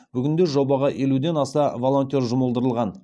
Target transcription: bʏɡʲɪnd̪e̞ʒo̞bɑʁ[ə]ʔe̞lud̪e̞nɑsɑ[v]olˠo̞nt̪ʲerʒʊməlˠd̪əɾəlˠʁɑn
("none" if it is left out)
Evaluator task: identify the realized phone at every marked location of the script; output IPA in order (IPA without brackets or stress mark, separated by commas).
ɑ, v